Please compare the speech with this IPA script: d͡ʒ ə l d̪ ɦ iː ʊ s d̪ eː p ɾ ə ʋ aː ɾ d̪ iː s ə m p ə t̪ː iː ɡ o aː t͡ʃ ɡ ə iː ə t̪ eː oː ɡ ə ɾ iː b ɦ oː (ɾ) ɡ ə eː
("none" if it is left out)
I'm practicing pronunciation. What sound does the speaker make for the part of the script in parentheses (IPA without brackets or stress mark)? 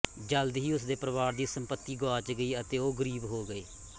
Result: none